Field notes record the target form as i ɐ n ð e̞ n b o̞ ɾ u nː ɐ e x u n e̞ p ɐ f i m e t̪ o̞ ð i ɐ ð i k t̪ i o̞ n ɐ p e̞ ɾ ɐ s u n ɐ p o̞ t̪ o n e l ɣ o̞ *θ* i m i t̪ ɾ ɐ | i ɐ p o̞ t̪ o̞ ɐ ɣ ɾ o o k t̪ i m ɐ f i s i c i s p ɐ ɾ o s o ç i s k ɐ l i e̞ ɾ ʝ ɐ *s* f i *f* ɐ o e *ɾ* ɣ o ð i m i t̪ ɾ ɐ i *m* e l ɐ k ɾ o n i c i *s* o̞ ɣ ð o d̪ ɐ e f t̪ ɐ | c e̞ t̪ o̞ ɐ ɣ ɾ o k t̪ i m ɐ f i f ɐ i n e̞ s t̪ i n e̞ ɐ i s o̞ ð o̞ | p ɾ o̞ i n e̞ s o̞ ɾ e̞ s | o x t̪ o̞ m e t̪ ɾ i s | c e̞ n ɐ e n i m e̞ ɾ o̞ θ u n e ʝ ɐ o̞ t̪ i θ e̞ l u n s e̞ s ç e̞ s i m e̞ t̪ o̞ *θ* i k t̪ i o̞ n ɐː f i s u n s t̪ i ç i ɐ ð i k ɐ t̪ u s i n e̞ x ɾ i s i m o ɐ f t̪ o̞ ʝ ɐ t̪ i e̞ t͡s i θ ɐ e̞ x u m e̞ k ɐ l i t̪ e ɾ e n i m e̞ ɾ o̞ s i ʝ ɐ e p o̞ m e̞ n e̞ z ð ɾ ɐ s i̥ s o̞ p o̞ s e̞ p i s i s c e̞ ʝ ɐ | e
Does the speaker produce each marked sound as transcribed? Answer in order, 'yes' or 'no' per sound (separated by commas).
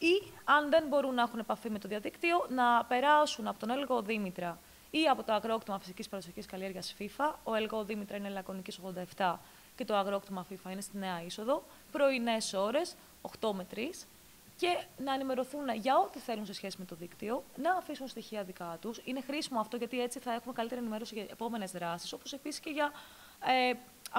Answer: no, yes, yes, no, no, yes, no